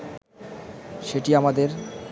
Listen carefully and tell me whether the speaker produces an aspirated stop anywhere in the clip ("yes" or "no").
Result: no